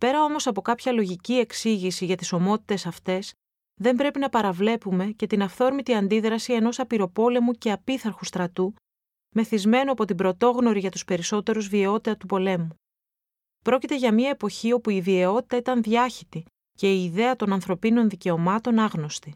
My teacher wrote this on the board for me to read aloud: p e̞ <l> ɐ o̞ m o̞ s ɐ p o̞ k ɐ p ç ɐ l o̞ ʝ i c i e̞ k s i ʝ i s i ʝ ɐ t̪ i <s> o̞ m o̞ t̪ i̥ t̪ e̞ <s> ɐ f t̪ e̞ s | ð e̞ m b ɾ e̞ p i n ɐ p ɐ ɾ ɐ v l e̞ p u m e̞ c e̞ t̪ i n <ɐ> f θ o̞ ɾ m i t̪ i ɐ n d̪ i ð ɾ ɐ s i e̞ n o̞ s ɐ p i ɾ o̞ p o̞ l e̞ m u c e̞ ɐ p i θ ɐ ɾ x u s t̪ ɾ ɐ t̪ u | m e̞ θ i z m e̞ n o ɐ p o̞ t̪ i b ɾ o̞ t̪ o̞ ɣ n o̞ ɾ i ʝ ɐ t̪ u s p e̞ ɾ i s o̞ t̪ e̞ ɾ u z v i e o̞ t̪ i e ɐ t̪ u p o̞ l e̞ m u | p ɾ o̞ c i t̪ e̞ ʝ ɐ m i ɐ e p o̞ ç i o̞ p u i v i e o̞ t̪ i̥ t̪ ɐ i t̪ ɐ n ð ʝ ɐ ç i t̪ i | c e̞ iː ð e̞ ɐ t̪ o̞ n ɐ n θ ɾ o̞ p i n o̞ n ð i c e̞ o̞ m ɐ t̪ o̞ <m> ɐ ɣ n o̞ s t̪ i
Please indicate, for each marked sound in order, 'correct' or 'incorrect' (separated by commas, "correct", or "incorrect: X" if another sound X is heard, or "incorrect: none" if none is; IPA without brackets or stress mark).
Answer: incorrect: ɾ, correct, correct, correct, incorrect: n